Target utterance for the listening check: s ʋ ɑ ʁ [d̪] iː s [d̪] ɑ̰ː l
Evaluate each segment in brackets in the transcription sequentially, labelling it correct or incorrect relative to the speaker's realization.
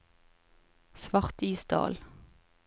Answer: incorrect, correct

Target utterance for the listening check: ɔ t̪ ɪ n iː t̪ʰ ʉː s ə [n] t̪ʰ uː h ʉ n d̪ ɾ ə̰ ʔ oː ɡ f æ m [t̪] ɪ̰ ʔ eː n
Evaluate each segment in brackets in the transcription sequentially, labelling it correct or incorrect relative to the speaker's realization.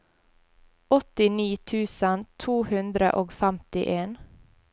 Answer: correct, correct

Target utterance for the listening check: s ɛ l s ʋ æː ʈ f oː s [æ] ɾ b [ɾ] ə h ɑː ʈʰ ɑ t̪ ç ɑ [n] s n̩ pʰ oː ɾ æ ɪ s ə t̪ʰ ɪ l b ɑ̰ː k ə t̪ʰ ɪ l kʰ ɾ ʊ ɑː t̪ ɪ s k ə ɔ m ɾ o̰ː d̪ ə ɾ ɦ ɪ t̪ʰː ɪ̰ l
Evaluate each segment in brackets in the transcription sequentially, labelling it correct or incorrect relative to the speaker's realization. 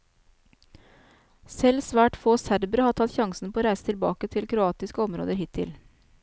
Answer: correct, correct, incorrect

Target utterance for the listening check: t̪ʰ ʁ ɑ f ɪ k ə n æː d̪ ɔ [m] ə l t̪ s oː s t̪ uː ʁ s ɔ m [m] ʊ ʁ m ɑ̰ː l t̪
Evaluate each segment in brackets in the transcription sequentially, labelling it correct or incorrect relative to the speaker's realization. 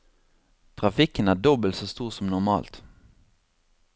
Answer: incorrect, incorrect

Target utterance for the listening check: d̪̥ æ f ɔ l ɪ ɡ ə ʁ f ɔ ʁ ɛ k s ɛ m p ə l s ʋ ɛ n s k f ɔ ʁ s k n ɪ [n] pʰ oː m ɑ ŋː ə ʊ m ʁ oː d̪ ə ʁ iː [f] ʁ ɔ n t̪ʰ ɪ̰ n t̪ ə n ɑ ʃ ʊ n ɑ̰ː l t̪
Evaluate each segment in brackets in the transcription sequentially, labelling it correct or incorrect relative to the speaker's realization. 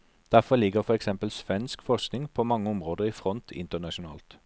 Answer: incorrect, correct

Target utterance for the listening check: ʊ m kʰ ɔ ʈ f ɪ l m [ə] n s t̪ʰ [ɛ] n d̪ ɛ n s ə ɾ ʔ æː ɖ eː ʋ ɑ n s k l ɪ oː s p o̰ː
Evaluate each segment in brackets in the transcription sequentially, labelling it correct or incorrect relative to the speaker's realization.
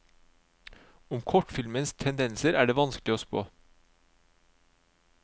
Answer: correct, correct

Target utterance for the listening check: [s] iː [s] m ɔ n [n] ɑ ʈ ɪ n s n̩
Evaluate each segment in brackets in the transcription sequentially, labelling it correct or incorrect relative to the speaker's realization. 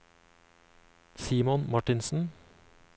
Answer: correct, incorrect, incorrect

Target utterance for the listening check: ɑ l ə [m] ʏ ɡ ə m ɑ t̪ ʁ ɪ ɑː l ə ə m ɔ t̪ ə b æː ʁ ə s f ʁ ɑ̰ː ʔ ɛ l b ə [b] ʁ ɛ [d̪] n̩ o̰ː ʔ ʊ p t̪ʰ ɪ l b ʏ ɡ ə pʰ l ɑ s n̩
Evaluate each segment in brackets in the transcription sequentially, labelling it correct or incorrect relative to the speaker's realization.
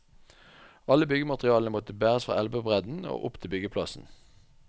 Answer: incorrect, correct, correct

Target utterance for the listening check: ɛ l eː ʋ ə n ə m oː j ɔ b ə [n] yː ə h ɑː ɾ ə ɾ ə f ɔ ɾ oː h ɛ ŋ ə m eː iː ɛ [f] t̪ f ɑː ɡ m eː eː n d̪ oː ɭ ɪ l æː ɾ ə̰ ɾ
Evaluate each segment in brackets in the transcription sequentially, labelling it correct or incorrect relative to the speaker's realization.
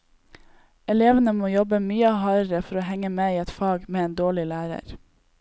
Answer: incorrect, incorrect

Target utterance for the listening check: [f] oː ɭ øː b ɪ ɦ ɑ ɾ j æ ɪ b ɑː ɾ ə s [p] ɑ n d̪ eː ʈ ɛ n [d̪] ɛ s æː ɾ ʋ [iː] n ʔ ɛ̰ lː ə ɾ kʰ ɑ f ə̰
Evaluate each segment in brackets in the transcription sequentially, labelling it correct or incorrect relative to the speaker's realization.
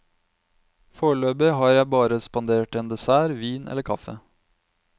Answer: correct, correct, correct, correct

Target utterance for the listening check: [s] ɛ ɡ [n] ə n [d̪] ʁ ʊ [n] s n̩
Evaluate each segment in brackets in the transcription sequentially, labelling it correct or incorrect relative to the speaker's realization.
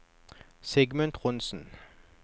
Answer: correct, incorrect, incorrect, correct

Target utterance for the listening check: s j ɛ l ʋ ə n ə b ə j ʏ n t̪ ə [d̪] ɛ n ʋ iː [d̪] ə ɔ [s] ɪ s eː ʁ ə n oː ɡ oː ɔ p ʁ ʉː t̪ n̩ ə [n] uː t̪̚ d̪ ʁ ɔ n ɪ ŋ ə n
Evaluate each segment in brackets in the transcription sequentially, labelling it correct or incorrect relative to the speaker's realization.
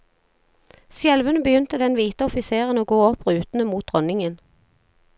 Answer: correct, incorrect, incorrect, incorrect

